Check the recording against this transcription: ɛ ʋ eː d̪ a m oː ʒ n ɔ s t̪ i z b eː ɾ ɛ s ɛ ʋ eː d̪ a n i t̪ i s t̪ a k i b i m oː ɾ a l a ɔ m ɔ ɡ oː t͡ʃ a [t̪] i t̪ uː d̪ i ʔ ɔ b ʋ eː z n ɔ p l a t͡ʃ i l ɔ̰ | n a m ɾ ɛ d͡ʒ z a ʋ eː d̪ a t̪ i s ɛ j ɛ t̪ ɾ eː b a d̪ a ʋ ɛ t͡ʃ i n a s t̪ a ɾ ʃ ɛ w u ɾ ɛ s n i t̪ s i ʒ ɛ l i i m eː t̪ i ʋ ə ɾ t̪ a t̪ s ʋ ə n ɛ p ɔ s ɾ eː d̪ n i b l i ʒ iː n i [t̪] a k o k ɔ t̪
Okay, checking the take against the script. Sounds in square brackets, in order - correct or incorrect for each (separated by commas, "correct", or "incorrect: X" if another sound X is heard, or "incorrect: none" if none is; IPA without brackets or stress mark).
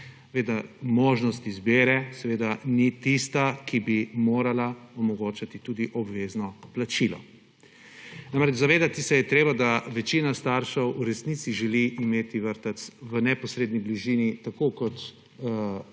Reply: correct, correct